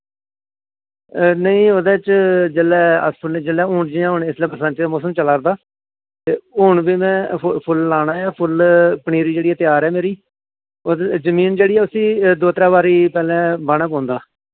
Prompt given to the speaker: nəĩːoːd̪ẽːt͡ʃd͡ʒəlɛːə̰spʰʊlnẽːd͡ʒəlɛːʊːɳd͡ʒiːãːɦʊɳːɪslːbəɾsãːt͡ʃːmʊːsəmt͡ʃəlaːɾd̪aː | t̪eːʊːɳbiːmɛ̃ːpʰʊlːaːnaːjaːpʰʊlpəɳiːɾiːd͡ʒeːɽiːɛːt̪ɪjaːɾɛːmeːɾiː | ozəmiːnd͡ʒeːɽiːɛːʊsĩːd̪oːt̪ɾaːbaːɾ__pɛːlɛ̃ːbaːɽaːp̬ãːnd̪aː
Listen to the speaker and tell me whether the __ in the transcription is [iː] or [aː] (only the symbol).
iː